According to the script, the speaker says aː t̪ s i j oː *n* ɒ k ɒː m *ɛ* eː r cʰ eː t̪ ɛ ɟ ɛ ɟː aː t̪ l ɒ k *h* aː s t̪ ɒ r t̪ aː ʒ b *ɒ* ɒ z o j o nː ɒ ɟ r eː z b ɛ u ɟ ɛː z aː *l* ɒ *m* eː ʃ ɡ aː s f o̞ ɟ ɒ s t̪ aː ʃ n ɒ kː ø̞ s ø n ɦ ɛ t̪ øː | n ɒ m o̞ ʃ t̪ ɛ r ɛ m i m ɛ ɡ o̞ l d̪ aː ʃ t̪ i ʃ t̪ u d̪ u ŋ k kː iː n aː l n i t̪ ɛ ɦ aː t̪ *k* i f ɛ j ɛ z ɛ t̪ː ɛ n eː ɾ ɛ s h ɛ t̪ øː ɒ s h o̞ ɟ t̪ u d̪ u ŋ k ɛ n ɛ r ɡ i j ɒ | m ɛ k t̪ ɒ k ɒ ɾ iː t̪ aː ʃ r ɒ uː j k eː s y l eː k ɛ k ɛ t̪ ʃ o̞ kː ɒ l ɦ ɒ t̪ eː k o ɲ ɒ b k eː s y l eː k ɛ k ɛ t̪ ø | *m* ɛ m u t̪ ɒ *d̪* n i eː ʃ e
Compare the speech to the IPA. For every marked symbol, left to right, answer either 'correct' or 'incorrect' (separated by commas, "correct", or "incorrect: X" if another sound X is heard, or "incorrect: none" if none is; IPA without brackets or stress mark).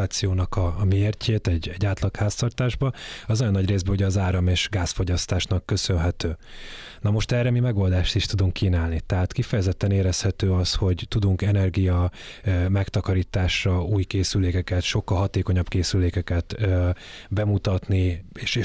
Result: correct, incorrect: i, correct, correct, incorrect: ɾ, correct, correct, incorrect: b, incorrect: t̪